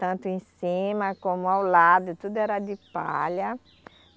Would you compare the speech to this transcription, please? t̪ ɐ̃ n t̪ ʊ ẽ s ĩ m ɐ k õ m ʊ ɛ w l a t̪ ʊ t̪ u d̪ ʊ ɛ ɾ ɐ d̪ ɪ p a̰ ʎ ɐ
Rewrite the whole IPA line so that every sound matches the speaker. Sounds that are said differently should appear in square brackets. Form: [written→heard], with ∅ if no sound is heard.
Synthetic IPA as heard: t̪ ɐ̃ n t̪ ʊ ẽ s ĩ m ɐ k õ m ʊ [ɛ→a] w l a [t̪→d̪] ʊ t̪ u d̪ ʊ ɛ ɾ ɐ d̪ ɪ p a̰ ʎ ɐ

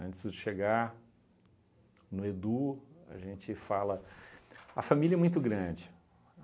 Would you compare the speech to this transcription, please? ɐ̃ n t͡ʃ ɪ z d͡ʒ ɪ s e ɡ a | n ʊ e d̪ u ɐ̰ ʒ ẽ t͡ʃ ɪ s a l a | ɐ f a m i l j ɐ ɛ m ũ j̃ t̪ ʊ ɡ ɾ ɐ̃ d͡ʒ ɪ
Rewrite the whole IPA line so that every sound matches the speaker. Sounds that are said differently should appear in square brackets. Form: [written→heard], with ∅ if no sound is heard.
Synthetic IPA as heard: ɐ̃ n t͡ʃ ɪ z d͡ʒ ɪ [s→ʃ] e ɡ a | n ʊ e d̪ u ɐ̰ ʒ ẽ t͡ʃ ɪ [s→f] a l [a→ɐ] | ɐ f a m i l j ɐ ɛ m ũ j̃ t̪ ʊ ɡ ɾ ɐ̃ d͡ʒ ɪ

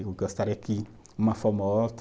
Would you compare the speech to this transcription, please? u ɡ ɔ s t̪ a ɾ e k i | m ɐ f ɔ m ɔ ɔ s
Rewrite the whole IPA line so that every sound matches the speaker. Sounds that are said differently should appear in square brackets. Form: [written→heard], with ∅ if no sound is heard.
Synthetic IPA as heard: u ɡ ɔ s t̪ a ɾ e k i | m [ɐ→a] f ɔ m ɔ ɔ [s→t]

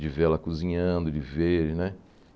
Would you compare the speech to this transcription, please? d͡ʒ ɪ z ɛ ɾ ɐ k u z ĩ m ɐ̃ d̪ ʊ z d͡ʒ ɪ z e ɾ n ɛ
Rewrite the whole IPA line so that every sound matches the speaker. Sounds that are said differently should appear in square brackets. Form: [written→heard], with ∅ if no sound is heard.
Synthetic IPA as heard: d͡ʒ ɪ [z→v] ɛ [ɾ→l] ɐ k u z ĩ [m→ɲ] ɐ̃ d̪ ʊ [z→∅] d͡ʒ ɪ [z→v] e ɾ n ɛ

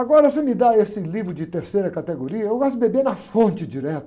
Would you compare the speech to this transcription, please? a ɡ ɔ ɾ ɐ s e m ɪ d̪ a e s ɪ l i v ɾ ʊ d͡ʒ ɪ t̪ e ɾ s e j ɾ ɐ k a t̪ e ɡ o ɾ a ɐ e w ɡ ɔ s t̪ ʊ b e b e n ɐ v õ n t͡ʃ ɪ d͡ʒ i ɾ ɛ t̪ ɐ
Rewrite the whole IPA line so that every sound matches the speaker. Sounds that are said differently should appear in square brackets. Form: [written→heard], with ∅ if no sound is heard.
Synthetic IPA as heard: a ɡ ɔ ɾ ɐ s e m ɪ d̪ a e s ɪ l i v ɾ ʊ d͡ʒ ɪ t̪ e ɾ s e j ɾ ɐ k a t̪ e ɡ o ɾ [a→i] ɐ e w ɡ ɔ s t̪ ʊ b e b e n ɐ [v→f] õ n t͡ʃ ɪ d͡ʒ i ɾ ɛ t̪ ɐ

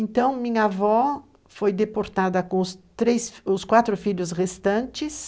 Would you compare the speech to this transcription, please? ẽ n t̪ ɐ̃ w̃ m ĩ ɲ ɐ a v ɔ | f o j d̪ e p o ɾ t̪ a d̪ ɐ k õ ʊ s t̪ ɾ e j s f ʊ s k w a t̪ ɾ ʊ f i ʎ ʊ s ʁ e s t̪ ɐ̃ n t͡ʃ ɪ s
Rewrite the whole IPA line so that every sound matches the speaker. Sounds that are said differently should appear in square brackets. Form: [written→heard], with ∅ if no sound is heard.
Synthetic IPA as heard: ẽ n t̪ ɐ̃ w̃ m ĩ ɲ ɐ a v ɔ | f o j d̪ e p o ɾ t̪ a d̪ ɐ k õ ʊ s t̪ ɾ e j s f ʊ s k w a t̪ ɾ ʊ f i ʎ ʊ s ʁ e s t̪ ɐ̃ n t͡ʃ ɪ s

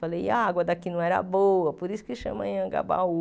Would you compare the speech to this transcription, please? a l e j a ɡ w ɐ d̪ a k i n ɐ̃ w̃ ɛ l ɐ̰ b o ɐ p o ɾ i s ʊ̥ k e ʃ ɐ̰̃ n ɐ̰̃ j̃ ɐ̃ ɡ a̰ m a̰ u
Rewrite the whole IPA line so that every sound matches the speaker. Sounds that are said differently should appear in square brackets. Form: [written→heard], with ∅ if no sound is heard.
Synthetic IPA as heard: a l e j a ɡ w ɐ d̪ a k i n ɐ̃ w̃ ɛ [l→ɾ] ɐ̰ b o ɐ p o ɾ i s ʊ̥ k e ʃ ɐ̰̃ [n→m] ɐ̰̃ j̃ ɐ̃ ɡ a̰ [m→b] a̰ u

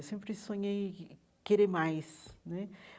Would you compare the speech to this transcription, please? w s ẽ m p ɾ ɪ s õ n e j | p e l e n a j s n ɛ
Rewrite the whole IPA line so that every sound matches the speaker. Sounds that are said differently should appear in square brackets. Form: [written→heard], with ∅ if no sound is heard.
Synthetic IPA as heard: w s ẽ m p ɾ ɪ s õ [n→ɲ] e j | [p→k] e [l→ɾ] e [n→m] a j s n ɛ

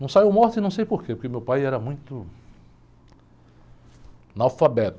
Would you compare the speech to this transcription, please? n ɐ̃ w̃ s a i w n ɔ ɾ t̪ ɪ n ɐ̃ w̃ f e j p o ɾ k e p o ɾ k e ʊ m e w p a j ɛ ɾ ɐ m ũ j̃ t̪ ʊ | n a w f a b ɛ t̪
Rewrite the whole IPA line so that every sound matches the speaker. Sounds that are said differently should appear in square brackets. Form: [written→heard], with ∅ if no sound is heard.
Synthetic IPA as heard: n ɐ̃ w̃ s a i w [n→m] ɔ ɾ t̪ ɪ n ɐ̃ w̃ [f→s] e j p o ɾ k e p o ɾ k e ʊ m e w p a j ɛ ɾ ɐ m ũ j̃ t̪ ʊ | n a w f a b ɛ t̪

